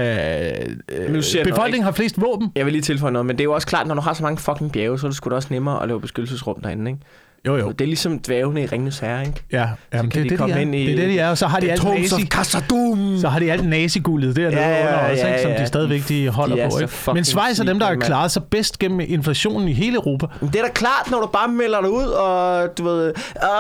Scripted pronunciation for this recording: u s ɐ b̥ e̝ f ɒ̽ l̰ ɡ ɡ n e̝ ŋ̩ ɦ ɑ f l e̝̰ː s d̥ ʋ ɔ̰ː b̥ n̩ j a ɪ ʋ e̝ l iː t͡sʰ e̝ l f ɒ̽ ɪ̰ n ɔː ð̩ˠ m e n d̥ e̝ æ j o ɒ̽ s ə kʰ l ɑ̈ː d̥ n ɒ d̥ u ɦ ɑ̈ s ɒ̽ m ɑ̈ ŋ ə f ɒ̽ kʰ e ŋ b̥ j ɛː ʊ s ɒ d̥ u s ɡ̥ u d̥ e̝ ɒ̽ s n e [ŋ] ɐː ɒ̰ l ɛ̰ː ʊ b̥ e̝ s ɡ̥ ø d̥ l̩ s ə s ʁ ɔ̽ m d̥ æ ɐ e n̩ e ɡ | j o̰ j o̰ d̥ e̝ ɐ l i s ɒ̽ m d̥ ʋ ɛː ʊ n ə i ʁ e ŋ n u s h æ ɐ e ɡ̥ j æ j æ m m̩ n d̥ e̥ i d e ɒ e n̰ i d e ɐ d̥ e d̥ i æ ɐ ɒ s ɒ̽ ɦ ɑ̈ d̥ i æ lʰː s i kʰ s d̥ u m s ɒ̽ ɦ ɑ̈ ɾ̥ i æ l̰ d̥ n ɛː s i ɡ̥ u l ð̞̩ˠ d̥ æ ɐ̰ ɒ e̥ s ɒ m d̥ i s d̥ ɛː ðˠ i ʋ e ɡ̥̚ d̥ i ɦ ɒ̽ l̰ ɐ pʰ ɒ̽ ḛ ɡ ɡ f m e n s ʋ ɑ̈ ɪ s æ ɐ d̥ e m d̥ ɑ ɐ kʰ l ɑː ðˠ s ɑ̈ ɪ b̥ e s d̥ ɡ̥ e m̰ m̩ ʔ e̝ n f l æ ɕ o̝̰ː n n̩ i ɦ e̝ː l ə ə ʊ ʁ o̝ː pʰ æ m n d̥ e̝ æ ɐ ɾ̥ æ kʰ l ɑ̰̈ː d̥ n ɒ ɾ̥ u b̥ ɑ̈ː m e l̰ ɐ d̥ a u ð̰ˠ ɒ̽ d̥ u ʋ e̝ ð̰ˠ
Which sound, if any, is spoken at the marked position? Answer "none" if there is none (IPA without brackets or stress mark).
m